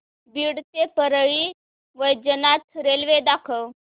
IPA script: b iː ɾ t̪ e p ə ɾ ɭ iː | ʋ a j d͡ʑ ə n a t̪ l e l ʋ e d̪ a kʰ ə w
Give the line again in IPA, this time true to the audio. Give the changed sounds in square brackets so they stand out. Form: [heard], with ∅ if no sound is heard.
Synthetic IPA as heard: b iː [ɽ] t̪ e p ə ɾ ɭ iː | ʋ [ə] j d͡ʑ ə n a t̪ [ɾ] e l ʋ e d̪ a kʰ ə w